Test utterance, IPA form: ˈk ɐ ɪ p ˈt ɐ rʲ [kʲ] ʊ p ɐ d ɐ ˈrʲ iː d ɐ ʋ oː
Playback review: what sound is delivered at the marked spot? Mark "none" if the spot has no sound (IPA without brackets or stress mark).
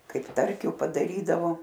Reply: kʲ